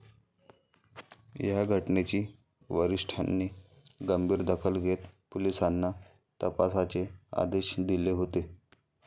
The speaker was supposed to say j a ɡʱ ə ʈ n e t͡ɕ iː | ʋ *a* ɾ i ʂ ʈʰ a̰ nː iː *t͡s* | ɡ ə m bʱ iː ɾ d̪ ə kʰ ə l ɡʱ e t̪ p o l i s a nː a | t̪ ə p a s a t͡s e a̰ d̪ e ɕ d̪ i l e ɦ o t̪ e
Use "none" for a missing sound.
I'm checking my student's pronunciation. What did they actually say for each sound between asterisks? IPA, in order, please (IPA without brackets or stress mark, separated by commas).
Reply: ə, none